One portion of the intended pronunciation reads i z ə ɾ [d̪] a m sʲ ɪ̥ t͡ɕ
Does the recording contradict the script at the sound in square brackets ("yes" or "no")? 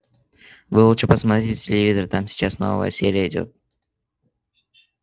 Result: yes